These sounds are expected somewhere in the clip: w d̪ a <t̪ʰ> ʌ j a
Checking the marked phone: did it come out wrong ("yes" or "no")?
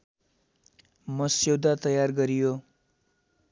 yes